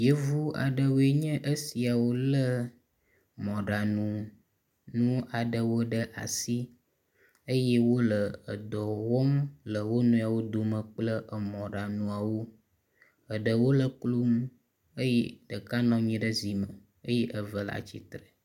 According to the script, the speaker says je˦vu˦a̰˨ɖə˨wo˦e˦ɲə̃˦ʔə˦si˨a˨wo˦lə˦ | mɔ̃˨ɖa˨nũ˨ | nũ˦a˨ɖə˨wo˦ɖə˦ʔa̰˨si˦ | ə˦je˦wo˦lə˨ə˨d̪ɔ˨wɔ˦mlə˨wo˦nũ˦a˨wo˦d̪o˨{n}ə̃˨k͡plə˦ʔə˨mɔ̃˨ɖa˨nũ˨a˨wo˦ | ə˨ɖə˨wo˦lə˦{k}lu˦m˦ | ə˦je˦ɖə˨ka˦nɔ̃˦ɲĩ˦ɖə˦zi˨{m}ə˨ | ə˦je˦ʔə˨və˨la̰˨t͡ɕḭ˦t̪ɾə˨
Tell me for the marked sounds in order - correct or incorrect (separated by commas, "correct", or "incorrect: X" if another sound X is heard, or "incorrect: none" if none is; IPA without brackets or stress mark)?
incorrect: m, correct, correct